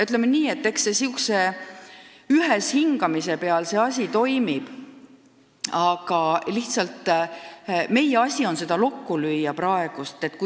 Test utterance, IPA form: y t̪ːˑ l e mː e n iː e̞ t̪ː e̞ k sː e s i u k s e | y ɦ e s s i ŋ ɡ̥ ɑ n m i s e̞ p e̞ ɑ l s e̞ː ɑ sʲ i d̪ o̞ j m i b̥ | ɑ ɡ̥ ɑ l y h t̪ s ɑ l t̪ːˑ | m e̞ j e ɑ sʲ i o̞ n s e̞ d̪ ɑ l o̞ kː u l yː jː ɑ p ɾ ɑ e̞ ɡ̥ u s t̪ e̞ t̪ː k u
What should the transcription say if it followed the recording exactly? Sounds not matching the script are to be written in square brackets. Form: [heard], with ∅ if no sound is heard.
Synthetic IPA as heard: y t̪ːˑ l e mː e n iː e̞ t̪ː e̞ k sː e s i u k s e | y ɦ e s [h] i ŋ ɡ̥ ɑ [∅] m i s e̞ p e̞ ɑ l s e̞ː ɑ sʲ i [t̪] o̞ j m i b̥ | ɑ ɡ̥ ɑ l [i] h t̪ s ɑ l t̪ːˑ | m e̞ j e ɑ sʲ i o̞ n s e̞ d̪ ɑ l o̞ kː u l [y] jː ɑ p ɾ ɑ e̞ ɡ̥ u s t̪ e̞ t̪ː k u